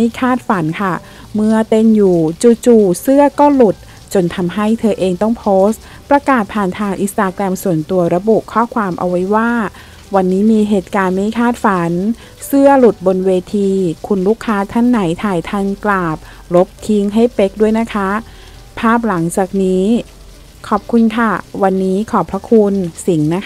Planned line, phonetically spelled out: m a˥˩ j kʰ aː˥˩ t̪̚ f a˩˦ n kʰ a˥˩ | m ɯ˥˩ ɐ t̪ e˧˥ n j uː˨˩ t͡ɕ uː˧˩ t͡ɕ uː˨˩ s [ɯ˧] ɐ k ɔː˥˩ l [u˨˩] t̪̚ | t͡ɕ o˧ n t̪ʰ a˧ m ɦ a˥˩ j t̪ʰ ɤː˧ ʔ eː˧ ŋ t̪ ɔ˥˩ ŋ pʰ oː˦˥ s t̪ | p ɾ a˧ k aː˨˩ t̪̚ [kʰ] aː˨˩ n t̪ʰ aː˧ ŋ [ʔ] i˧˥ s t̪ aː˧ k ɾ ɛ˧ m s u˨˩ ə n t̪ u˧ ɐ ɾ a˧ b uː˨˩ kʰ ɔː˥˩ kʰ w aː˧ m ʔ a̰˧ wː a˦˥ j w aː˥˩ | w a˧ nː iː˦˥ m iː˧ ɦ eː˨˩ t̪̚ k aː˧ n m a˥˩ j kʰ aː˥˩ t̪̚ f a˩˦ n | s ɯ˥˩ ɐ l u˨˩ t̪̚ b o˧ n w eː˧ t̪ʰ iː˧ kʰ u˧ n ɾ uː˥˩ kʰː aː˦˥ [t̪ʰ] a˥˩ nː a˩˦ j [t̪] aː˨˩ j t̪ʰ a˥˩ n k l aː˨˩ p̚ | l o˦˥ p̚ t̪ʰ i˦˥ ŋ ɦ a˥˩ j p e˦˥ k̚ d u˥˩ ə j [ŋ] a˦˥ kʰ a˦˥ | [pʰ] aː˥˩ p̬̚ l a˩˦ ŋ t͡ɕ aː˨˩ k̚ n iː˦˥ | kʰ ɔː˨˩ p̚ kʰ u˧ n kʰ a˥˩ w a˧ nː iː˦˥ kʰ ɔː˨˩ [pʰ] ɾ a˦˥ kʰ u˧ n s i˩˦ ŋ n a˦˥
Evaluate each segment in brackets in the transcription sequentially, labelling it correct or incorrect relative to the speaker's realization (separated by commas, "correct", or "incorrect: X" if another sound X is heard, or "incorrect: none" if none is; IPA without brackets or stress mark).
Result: incorrect: ɯ˥˩, correct, incorrect: pʰ, correct, correct, incorrect: t̪ʰ, incorrect: n, correct, correct